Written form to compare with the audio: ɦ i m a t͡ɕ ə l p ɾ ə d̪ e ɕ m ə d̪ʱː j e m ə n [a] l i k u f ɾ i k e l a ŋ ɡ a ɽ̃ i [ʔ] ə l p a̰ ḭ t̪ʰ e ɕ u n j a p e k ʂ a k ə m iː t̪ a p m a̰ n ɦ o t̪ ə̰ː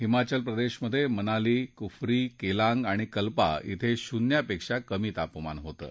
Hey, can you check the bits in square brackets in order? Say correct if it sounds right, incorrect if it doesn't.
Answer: correct, incorrect: k

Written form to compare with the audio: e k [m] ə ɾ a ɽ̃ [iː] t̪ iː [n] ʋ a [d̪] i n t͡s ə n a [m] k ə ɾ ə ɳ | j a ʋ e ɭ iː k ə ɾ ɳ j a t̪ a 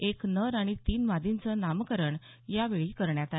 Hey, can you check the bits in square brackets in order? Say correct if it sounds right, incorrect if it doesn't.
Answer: incorrect: n, incorrect: i, correct, correct, correct

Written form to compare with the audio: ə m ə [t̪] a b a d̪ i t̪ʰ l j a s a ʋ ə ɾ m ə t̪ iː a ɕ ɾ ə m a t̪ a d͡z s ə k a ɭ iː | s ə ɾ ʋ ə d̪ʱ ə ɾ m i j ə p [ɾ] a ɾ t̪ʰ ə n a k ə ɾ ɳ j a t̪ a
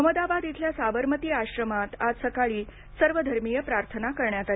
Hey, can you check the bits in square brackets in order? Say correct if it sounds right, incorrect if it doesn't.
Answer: incorrect: d̪, correct

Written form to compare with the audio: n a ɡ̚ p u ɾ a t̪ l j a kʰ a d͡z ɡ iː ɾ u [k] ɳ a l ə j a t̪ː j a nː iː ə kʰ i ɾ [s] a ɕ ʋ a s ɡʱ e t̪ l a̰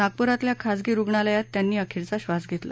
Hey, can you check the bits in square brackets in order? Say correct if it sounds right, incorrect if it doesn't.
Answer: incorrect: ɡ, incorrect: t͡s

